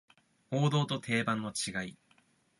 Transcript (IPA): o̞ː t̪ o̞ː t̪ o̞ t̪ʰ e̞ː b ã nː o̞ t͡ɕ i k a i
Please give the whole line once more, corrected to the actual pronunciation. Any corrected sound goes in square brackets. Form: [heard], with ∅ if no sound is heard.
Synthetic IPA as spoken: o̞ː [d̪] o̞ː t̪ o̞ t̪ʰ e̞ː b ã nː o̞ t͡ɕ i [ɡ] a i